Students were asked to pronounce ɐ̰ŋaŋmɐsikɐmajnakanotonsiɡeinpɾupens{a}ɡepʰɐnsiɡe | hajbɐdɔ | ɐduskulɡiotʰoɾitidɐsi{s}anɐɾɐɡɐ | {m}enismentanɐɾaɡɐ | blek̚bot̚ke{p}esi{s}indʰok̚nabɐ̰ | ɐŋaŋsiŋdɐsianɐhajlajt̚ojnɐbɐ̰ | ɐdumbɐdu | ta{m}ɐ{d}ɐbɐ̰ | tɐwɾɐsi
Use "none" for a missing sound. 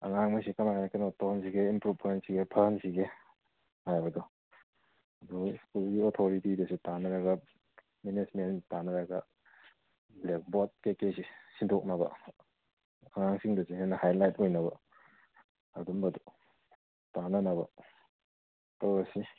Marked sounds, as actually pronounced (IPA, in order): i, t, m, k, s, n, n

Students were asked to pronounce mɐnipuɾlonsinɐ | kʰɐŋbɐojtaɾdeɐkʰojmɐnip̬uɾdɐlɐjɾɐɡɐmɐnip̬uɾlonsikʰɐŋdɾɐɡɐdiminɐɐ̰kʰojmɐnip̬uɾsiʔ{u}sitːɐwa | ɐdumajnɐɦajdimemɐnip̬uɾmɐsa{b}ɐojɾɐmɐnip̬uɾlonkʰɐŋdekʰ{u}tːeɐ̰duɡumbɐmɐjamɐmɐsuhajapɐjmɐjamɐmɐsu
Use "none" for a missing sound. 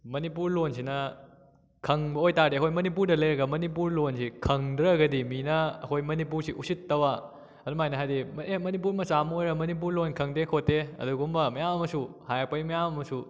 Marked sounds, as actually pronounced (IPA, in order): u, m, o

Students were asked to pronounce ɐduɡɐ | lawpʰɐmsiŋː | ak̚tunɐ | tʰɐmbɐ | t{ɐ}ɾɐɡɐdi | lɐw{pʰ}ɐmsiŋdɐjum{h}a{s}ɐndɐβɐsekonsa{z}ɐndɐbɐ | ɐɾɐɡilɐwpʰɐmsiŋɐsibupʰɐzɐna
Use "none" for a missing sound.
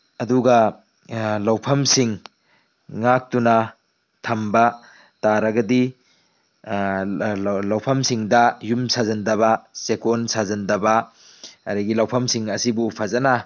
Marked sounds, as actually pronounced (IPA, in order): a, pʰ, s, z, z

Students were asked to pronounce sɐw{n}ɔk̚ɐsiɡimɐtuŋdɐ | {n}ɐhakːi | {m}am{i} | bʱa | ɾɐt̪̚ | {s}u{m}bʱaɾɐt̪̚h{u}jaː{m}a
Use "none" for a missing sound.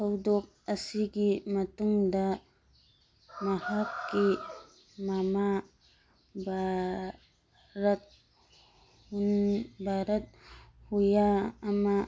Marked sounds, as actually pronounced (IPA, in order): d, m, m, a, h, n, u, m

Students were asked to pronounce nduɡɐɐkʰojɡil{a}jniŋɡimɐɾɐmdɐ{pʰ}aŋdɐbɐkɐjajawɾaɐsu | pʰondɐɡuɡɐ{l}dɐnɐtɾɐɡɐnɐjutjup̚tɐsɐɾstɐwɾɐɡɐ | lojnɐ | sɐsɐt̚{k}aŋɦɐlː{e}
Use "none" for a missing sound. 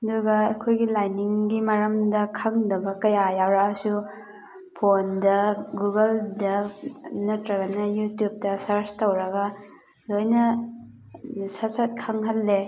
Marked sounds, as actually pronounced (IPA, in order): a, kʰ, l, kʰ, e

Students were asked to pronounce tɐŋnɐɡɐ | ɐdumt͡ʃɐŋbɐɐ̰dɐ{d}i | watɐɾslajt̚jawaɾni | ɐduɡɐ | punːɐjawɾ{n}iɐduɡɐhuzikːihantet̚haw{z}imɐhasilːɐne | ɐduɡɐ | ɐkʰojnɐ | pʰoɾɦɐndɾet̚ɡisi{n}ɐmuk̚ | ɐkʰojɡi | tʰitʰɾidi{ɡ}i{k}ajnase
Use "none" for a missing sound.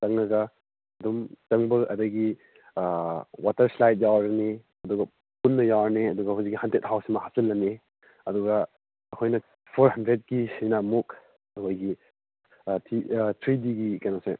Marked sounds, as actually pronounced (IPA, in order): ɡ, n, s, n, ɡ, k

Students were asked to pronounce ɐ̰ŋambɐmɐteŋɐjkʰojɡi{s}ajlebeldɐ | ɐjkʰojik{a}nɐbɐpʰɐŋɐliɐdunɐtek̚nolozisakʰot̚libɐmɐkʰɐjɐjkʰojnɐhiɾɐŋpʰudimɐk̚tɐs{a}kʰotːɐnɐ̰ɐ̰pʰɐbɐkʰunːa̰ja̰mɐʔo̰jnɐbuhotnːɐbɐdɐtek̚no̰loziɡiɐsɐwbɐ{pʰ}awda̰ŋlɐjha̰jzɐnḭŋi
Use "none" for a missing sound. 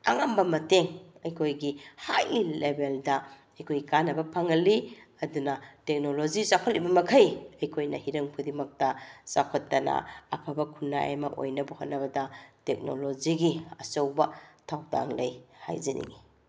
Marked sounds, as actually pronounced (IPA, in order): h, a, a, tʰ

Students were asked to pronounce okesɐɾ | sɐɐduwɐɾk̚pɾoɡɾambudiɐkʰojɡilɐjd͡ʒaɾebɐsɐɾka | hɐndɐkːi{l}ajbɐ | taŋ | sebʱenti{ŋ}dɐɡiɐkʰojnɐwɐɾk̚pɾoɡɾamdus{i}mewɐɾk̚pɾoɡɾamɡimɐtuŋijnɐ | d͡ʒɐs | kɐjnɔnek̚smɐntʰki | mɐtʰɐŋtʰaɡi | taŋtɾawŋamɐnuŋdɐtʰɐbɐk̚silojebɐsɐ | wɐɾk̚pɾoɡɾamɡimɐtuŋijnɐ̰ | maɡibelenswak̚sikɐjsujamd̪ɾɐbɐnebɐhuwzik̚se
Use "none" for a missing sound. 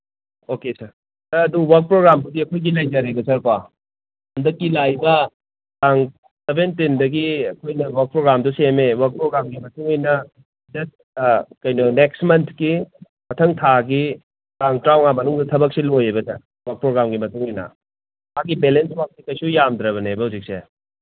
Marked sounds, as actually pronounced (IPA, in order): l, n, e

